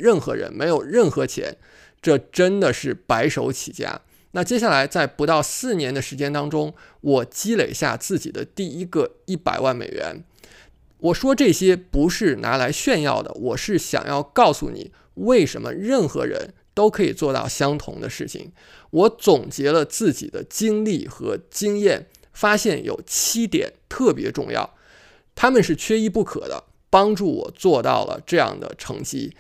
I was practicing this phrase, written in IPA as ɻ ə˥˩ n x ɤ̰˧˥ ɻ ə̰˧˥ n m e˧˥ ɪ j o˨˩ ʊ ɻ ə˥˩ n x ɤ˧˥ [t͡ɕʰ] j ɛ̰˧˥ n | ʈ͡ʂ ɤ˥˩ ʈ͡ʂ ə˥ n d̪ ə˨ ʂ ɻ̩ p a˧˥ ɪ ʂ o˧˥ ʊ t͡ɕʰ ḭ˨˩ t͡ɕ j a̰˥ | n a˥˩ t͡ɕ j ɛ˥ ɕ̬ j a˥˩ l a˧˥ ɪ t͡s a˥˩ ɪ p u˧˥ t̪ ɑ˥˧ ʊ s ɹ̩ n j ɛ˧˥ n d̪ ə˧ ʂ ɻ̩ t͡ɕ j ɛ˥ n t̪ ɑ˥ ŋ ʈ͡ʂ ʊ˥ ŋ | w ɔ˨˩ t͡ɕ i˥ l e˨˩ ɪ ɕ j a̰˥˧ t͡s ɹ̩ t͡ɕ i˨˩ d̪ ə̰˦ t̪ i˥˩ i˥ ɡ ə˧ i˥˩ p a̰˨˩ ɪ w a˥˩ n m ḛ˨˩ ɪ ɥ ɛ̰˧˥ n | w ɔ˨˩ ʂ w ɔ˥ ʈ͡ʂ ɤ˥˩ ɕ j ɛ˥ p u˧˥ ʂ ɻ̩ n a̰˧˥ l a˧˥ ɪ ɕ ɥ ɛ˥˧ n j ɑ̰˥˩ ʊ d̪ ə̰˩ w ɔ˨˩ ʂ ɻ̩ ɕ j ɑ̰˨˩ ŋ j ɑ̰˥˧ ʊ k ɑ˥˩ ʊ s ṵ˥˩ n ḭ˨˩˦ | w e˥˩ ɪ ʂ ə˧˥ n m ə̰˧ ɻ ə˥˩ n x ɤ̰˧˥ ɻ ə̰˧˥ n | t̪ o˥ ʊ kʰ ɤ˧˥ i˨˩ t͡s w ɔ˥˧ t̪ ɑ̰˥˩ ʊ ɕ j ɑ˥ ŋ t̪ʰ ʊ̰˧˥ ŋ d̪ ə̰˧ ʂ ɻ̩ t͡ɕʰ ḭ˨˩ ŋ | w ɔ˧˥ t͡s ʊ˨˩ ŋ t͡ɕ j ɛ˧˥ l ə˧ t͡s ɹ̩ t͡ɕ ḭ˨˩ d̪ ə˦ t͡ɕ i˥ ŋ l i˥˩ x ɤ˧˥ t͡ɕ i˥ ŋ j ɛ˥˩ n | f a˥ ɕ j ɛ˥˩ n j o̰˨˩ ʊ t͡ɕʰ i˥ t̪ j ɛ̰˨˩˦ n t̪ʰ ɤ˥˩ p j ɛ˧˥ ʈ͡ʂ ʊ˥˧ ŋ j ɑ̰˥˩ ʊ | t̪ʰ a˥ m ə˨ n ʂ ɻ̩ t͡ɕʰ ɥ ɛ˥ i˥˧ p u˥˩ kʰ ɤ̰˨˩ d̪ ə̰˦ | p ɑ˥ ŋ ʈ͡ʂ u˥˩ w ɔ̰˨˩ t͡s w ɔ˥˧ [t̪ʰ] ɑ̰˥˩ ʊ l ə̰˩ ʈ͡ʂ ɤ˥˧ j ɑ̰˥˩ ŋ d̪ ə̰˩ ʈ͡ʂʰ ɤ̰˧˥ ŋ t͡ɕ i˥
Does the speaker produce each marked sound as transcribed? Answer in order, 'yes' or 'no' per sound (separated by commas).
yes, no